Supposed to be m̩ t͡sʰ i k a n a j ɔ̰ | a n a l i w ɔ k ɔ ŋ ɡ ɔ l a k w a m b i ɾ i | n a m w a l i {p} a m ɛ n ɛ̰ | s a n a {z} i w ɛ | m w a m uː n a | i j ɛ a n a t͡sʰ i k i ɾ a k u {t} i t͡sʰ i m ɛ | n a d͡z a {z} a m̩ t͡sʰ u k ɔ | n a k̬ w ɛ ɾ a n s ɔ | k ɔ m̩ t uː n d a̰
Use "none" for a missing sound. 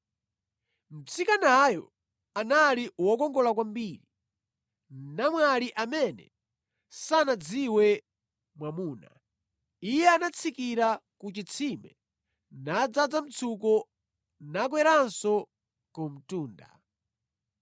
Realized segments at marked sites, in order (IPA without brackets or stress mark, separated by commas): ʔ, d͡z, t͡ʃ, d͡z